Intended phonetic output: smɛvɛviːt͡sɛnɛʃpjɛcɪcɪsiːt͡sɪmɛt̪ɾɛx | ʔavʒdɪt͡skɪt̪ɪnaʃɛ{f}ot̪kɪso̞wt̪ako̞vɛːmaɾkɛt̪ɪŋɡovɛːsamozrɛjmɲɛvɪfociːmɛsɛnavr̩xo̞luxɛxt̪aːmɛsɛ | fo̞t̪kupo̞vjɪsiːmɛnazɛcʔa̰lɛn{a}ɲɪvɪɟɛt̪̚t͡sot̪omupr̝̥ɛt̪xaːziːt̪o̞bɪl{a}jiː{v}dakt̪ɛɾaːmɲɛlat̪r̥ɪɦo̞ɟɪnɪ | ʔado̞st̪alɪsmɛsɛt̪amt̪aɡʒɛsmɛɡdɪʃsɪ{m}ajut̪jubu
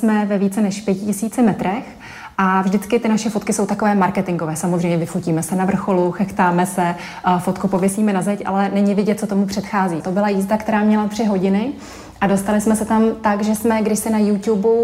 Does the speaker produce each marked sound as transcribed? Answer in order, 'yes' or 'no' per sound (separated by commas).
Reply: yes, no, yes, no, no